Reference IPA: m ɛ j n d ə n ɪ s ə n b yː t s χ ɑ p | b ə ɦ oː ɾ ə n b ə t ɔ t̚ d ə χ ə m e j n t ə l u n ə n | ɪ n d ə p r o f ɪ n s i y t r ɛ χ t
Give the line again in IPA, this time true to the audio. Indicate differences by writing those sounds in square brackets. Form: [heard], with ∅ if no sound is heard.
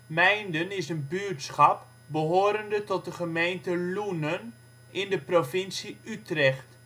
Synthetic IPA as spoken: m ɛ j n d ə n ɪ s ə n b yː t s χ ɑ p | b ə ɦ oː ɾ ə n [d] ə t ɔ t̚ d ə χ ə m e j n t ə l u n ə n | ɪ n d ə p r o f ɪ n s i y t r ɛ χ t